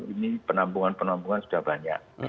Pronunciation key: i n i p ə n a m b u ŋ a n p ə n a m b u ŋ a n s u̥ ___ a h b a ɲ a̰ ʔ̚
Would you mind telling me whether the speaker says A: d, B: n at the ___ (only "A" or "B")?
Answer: A